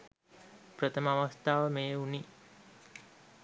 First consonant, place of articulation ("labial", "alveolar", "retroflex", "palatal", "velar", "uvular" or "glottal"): labial